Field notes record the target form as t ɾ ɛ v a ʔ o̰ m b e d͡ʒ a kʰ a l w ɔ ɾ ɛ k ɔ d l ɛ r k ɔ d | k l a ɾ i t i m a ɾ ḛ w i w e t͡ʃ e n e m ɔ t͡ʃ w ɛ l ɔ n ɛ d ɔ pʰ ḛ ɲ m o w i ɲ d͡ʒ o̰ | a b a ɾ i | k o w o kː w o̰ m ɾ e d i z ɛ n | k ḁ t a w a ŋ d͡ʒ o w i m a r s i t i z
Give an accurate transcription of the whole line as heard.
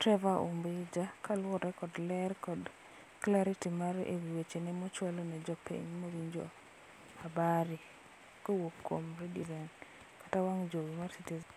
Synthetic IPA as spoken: t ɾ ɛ v a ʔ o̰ m b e d͡ʒ a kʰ a l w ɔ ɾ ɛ k ɔ d l ɛ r k ɔ d | k l a ɾ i t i m a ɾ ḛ w i w e t͡ʃ e n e m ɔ t͡ʃ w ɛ l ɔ n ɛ d͡ʒ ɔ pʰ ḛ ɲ m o w i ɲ d͡ʒ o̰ | a b a ɾ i | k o w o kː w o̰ m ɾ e d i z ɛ n | k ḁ t a w a ŋ d͡ʒ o w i m a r s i t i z

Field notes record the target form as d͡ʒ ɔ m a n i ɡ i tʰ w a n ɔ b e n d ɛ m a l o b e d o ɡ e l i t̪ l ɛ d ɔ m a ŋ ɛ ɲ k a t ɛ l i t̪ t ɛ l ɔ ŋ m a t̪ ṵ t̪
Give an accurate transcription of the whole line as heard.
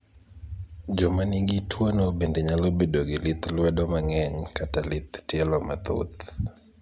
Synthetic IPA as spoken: d͡ʒ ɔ m a n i ɡ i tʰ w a n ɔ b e n d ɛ ɲ a l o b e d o ɡ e l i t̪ l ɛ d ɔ m a ŋ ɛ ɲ k a t a l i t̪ t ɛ l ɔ m a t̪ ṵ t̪

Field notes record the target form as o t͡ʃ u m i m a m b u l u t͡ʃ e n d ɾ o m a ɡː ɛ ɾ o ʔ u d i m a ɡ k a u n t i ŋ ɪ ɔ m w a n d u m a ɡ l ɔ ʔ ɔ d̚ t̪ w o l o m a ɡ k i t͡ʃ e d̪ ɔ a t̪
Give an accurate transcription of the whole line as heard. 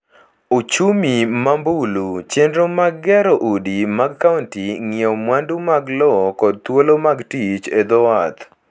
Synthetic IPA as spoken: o t͡ʃ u m i m a m b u l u t͡ʃ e n d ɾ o m a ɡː ɛ ɾ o ʔ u d i m a ɡ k a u n t i ŋ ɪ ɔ m w a n d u m a ɡ l ɔ k ɔ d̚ t̪ w o l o m a ɡ t i t͡ʃ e d̪ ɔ a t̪

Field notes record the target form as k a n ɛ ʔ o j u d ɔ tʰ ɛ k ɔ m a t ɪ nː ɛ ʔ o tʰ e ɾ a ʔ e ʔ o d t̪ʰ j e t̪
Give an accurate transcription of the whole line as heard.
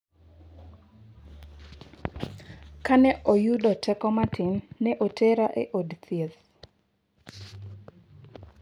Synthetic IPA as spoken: k a n ɛ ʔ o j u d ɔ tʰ ɛ k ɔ m a t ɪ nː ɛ ʔ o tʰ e ɾ a ʔ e ʔ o d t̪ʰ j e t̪

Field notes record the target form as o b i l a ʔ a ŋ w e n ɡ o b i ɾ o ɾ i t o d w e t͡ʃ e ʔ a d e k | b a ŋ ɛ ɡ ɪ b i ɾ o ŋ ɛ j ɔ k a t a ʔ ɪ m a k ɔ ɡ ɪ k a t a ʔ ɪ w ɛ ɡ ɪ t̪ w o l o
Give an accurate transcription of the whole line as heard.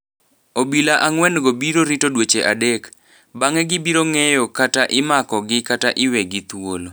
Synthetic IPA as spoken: o b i l a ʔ a ŋ w ɛ n ɡ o b i ɾ o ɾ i t o d w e t͡ʃ e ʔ a d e k | b a ŋ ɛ ɡ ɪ b i ɾ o ŋ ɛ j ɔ k a t a ʔ ɪ m a k ɔ ɡ ɪ k a t a ʔ ɪ w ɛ ɡ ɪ t̪ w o l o

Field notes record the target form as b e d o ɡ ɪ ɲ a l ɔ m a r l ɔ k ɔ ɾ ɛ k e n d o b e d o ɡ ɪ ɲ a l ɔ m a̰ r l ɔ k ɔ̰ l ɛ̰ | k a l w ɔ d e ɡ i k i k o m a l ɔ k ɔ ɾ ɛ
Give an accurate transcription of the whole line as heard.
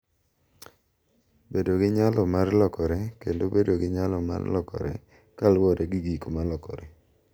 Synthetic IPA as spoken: b e d o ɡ ɪ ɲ a l ɔ m a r l ɔ k ɔ ɾ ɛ k e n d o b e d o ɡ ɪ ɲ a l ɔ m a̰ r l ɔ k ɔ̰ ɾ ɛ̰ | k a l w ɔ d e ɡ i ɡ i k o m a l ɔ k ɔ ɾ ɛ

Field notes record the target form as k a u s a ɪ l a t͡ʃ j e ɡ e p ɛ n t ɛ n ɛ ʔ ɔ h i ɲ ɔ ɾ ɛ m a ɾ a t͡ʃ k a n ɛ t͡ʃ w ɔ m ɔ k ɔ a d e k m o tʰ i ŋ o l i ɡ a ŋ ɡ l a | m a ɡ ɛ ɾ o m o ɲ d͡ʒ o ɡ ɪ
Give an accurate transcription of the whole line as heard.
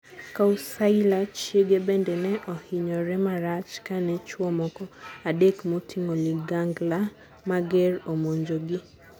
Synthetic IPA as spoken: k a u s a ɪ l a t͡ʃ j e ɡ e b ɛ n d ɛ n ɛ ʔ ɔ h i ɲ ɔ ɾ ɛ m a ɾ a t͡ʃ k a n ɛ t͡ʃ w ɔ m ɔ k ɔ a d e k m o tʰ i ŋ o l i ɡ a ŋ ɡ l a | m a ɡ ɛ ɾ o m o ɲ d͡ʒ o ɡ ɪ

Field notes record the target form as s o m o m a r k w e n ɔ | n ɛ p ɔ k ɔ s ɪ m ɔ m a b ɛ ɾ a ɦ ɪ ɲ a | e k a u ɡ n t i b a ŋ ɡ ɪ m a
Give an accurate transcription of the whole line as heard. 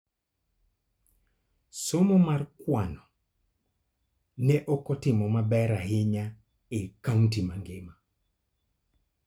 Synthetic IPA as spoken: s o m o m a r k w a n ɔ | n ɛ ʔ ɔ k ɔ t ɪ m ɔ m a b ɛ ɾ a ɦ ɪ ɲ a | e k a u n t i m a ŋ ɡ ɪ m a

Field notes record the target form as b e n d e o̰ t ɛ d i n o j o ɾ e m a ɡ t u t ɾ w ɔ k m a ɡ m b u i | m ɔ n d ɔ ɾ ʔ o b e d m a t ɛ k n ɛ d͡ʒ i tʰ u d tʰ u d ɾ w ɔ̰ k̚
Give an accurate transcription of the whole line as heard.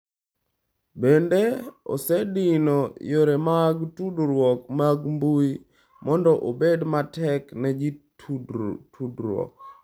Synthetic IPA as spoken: b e n d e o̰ s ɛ d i n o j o ɾ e m a ɡ t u d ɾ w ɔ k m a ɡ m b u i | m ɔ n d ɔ ʔ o b e d m a t ɛ k n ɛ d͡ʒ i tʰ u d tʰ u d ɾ w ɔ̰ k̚

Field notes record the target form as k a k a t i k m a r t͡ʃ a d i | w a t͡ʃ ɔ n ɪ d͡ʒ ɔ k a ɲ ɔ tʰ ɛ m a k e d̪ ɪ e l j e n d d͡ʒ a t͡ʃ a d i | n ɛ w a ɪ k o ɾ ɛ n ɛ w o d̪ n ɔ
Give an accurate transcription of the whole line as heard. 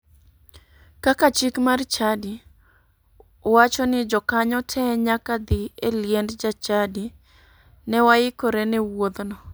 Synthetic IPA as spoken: k a k a t͡ʃ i k m a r t͡ʃ a d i | w a t͡ʃ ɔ n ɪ d͡ʒ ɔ k a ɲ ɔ tʰ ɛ ɲ a k a d̪ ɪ e l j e n d d͡ʒ a t͡ʃ a d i | n ɛ w a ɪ k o ɾ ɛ n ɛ w o d̪ n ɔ

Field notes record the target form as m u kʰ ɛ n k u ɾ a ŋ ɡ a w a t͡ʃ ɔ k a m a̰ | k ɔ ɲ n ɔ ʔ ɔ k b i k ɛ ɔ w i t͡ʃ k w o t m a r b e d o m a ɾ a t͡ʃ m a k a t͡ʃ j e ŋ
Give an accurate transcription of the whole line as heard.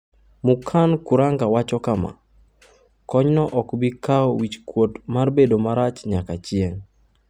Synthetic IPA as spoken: m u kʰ a n k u ɾ a ŋ ɡ a w a t͡ʃ ɔ k a m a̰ | k ɔ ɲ n ɔ ʔ ɔ k b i k a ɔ w i t͡ʃ k w o t m a r b e d o m a ɾ a t͡ʃ ɲ a k a t͡ʃ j e ŋ

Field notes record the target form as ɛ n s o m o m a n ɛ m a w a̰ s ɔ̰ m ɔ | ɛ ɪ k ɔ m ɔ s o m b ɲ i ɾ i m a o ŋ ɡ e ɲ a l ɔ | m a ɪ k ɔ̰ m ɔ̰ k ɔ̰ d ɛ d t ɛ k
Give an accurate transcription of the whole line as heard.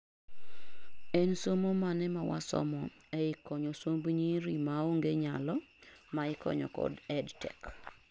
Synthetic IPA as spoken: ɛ n s o m o m a n ɛ m a w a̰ s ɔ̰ m ɔ | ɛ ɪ k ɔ ɲ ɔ s o m b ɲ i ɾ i m a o ŋ ɡ e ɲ a l ɔ | m a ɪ k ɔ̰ ɲ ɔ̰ k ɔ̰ d ɛ d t ɛ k

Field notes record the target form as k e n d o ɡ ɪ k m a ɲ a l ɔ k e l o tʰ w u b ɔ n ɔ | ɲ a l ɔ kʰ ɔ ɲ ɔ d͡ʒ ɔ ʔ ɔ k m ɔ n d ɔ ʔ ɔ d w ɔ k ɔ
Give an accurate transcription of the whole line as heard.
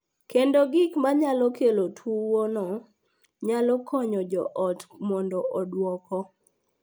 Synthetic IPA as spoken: k e n d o ɡ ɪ k m a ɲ a l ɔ k e l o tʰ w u w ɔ n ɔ | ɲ a l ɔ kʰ ɔ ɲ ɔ d͡ʒ ɔ ʔ ɔ t m ɔ n d ɔ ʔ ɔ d w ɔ k ɔ

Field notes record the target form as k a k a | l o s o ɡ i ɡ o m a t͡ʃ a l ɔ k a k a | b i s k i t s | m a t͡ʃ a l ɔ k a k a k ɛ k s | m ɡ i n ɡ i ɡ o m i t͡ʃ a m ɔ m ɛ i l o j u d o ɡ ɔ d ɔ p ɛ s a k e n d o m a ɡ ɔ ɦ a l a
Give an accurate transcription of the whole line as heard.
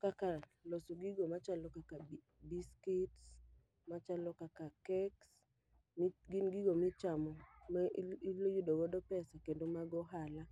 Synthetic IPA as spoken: k a k a | l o s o ɡ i ɡ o m a t͡ʃ a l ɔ k a k a | b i s k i t s | m a t͡ʃ a l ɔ k a k a k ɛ k s | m ɡ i n ɡ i ɡ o m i t͡ʃ a m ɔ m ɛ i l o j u d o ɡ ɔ d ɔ p ɛ s a k e n d o m a ɡ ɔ ɦ a l a

